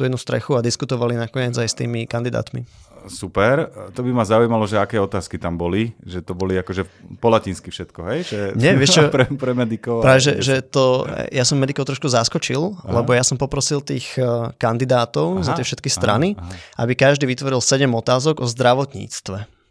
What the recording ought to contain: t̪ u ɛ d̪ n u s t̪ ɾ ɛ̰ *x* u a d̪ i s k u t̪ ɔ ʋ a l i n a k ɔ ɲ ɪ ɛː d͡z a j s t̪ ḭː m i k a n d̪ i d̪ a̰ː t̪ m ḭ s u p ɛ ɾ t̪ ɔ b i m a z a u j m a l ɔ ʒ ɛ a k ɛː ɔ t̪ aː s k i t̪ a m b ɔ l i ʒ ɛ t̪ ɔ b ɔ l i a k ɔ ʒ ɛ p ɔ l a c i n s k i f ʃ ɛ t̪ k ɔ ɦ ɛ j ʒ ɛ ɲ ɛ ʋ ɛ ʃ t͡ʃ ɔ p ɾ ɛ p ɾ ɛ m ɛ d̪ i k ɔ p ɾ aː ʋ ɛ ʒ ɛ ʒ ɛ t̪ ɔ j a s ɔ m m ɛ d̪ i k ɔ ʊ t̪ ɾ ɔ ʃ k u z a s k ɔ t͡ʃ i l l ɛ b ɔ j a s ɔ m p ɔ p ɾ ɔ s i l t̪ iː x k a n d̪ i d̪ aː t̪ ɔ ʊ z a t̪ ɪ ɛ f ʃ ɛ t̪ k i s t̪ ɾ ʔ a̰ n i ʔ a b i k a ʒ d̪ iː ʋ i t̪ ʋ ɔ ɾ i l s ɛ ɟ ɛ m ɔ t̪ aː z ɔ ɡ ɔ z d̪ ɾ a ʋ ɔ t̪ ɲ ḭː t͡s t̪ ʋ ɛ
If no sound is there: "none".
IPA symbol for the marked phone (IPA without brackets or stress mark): x